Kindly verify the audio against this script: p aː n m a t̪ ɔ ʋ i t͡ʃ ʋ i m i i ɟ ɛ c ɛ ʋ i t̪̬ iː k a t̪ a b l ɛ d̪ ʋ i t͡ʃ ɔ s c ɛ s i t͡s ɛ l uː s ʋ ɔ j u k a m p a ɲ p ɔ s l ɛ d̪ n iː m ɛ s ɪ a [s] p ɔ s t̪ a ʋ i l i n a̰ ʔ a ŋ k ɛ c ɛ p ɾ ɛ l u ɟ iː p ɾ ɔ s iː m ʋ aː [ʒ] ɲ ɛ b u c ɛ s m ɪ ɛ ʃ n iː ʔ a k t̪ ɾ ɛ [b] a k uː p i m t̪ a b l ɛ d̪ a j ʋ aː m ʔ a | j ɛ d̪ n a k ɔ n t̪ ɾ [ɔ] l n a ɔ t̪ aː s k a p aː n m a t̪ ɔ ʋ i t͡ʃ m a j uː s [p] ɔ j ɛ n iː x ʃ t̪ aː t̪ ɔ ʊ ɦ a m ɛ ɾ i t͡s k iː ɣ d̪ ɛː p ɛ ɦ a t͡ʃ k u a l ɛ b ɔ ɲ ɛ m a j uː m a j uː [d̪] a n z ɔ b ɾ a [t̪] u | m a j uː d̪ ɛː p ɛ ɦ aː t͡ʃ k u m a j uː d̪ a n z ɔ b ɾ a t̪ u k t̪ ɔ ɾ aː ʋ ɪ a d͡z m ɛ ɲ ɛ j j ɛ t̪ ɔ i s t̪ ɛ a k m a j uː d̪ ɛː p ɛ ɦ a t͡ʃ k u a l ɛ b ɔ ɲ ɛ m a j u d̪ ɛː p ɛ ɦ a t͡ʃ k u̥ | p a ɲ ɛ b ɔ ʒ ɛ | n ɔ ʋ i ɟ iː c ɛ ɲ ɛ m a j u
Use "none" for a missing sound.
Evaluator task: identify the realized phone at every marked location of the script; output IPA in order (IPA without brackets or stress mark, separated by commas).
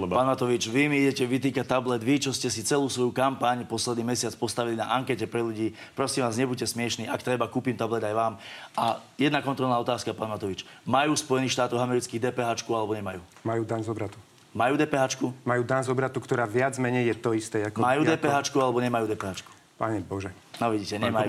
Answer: t͡s, z, b, ɔ, p, d̪, t̪